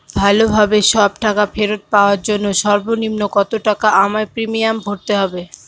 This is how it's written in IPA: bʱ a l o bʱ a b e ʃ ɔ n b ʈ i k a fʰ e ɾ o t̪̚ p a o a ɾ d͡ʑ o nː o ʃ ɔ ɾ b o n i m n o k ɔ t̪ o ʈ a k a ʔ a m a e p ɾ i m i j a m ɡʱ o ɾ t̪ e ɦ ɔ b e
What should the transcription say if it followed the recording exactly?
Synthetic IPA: bʱ a l o bʱ a b e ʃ ɔ b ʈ a k a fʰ e ɾ o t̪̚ p a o a ɾ d͡ʑ o nː o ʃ ɔ ɾ b o n i m n o k ɔ t̪ o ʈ a k a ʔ a m a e p ɾ i m i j a m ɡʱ o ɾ t̪ e ɦ ɔ b e